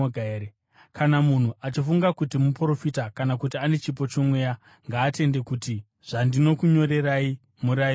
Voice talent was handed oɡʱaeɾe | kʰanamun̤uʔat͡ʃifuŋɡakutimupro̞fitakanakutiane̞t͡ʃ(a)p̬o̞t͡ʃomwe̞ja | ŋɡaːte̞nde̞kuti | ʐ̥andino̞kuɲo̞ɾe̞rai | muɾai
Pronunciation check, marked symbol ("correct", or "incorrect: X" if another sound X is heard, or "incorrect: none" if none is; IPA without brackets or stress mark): incorrect: i